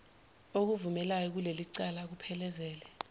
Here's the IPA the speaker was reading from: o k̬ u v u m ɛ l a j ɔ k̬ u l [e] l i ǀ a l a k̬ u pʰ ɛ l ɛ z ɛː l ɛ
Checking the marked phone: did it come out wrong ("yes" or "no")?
no